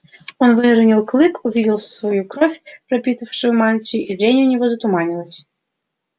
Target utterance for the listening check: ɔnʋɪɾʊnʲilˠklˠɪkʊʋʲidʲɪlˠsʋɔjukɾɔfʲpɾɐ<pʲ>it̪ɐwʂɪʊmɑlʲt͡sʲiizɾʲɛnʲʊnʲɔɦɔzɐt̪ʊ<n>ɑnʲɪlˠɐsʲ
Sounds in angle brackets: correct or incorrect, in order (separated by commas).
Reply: correct, incorrect